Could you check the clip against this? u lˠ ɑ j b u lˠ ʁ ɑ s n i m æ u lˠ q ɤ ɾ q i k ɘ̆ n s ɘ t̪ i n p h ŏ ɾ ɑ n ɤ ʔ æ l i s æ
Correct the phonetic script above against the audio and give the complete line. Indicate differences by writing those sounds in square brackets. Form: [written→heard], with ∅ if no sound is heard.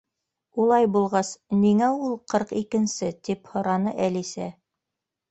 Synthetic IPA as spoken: u lˠ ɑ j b u lˠ ʁ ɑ s n i [m→ŋ] æ u lˠ q ɤ ɾ q i k ɘ̆ n s ɘ t̪ i [n→∅] p h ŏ ɾ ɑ n ɤ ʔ æ l i s æ